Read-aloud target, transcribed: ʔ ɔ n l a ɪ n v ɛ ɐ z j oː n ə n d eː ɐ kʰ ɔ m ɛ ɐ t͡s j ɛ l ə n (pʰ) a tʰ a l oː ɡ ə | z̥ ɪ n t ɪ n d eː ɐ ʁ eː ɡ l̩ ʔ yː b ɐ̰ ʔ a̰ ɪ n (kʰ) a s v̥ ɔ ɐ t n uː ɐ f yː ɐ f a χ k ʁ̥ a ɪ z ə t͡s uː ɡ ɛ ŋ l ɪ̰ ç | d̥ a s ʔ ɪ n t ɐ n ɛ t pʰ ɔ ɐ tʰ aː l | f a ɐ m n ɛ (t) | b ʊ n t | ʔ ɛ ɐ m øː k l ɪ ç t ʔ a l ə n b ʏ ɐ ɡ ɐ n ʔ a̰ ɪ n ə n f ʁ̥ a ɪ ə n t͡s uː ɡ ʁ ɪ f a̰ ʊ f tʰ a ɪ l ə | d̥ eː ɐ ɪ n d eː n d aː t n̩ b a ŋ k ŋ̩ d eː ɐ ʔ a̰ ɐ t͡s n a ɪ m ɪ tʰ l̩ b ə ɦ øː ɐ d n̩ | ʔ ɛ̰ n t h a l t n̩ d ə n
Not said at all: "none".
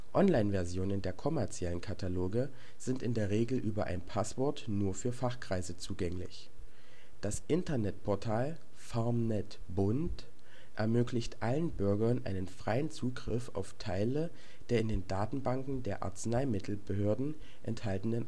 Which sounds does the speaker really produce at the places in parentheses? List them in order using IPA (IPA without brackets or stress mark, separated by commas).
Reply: kʰ, pʰ, t